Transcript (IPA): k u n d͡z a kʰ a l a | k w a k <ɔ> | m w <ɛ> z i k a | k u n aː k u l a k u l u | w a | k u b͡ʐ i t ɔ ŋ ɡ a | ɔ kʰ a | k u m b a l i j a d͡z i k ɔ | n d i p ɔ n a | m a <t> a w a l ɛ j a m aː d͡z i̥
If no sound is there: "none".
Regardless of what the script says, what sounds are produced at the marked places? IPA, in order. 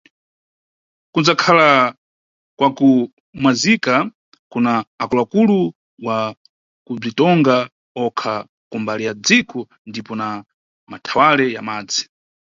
u, a, tʰ

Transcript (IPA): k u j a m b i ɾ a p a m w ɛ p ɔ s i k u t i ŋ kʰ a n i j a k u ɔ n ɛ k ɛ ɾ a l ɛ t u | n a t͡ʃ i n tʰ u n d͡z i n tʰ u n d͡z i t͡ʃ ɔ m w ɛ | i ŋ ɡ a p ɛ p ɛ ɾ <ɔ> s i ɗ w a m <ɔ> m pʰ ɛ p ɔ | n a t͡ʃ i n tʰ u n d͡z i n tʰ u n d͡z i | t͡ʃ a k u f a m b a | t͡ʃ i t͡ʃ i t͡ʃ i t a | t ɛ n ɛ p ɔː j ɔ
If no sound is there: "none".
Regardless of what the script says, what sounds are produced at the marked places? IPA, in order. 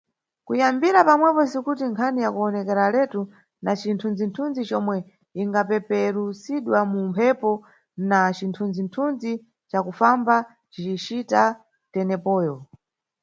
u, u

